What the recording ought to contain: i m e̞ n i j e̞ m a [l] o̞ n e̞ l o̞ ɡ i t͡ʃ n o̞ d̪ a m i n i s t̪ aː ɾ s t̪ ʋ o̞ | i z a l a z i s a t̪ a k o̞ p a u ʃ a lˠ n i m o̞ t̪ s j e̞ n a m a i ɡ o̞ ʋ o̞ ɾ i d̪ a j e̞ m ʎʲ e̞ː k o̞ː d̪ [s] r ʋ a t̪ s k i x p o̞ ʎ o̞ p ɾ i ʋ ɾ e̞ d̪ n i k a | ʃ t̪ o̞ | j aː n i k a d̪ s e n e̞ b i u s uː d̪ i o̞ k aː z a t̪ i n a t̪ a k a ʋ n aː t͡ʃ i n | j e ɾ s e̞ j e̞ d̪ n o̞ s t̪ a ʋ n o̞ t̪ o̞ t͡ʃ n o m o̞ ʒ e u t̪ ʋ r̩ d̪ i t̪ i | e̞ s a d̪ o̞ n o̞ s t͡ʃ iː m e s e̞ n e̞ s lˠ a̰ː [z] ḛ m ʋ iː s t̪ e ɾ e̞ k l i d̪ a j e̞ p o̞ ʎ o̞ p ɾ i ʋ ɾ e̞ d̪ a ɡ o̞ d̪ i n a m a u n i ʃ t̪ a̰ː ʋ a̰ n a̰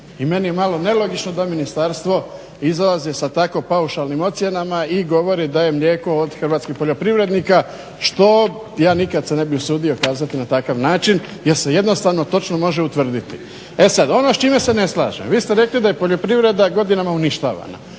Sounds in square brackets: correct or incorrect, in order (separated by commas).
correct, incorrect, incorrect